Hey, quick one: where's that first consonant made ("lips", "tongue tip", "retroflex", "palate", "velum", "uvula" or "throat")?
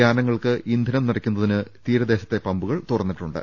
tongue tip